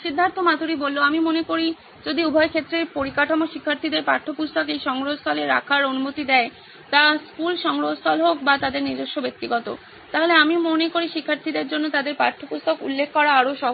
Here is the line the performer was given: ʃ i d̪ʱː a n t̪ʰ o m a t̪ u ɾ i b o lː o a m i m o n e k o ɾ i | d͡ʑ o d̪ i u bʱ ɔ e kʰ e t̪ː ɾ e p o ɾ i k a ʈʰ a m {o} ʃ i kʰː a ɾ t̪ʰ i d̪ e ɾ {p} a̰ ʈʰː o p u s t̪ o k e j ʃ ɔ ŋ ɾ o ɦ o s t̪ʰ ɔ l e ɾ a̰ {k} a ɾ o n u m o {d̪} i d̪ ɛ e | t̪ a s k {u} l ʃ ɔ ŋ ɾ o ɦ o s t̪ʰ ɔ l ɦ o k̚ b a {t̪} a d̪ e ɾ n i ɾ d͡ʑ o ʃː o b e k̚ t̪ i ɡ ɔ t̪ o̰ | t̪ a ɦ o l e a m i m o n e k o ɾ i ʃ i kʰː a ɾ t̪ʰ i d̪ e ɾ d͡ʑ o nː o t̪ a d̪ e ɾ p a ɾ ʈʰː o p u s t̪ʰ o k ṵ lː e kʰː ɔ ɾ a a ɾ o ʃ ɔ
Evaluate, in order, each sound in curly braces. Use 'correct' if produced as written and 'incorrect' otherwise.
correct, correct, incorrect, incorrect, correct, correct

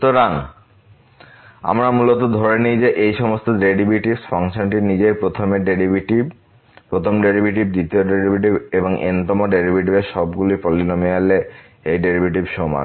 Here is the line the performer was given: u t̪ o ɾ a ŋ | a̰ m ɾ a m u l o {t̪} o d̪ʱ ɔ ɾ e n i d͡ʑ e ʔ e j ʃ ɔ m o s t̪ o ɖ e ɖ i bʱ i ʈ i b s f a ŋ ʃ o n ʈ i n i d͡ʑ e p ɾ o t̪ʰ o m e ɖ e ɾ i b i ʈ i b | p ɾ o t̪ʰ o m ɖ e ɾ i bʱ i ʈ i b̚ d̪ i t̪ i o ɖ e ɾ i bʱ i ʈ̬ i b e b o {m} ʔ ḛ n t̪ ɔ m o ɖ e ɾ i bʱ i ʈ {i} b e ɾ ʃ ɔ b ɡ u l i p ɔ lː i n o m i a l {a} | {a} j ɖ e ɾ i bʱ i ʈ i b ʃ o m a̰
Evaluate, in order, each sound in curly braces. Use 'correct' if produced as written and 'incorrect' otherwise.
correct, incorrect, correct, incorrect, incorrect

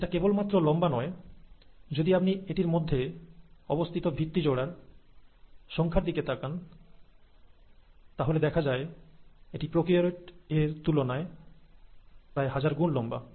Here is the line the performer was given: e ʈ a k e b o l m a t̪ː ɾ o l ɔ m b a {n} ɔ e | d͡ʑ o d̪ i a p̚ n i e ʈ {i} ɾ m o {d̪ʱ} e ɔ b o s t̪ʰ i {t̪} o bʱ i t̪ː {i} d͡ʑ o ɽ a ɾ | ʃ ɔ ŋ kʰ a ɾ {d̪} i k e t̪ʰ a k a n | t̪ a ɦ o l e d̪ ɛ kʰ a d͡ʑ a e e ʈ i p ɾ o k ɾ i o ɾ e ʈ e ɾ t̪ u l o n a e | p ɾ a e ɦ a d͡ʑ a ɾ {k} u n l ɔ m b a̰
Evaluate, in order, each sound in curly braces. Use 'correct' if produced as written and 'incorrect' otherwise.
correct, correct, incorrect, correct, correct, correct, incorrect

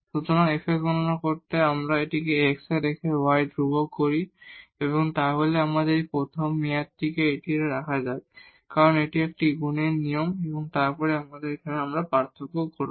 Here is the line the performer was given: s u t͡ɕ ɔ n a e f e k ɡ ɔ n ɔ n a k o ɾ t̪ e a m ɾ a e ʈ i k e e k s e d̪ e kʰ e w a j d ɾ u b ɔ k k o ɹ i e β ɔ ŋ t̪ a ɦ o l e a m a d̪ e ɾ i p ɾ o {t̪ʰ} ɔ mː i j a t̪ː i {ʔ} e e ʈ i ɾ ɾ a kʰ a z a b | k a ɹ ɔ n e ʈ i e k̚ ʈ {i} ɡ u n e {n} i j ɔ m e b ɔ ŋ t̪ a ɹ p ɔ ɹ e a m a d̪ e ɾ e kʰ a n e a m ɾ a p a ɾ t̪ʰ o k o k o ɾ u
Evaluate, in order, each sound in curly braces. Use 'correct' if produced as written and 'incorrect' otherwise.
correct, incorrect, correct, correct

